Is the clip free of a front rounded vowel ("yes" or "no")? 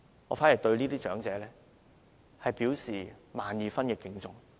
no